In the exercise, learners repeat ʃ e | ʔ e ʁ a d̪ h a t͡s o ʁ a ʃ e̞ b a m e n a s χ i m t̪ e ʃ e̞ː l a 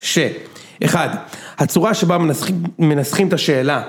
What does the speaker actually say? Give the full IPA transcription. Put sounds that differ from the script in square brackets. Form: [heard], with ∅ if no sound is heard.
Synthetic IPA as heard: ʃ e | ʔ e [χ] a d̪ h a t͡s [u] ʁ a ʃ e̞ b a m e n a s χ i m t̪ [a] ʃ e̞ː l a